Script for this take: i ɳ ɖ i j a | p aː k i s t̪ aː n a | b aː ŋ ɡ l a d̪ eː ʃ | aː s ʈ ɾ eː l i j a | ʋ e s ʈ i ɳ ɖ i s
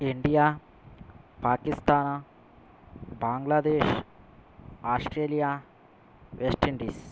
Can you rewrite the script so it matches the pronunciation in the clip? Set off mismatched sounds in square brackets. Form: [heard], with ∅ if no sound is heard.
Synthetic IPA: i ɳ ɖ i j a | p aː k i s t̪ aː n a | b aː ŋ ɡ l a d̪ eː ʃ | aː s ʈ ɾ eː l i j a | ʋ e s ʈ i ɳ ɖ i s